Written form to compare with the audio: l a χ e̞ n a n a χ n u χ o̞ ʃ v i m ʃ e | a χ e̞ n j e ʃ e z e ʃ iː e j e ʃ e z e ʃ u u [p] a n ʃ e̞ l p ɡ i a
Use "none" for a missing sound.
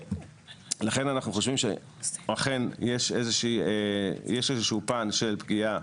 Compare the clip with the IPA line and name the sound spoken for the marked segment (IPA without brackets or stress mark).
p